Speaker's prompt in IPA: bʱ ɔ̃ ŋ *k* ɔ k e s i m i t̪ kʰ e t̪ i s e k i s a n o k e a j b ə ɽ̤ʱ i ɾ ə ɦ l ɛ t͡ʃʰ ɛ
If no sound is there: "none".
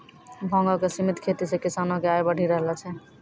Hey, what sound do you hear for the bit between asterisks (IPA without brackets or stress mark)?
ɡ